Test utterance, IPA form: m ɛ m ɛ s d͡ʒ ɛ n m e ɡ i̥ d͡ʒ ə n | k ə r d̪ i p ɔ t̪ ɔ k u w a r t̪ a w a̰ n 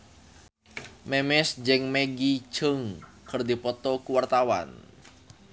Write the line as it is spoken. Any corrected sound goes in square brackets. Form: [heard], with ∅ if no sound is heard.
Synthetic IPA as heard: m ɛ m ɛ s d͡ʒ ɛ [ŋ] m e ɡ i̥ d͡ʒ ə [ŋ] | k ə r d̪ i p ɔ t̪ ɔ k u w a r t̪ a w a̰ n